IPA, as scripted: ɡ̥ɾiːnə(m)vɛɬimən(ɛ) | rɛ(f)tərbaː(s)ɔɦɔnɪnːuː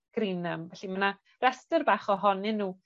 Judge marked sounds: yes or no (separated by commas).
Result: yes, no, no, no